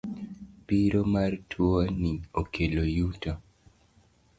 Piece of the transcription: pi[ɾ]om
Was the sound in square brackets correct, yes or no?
yes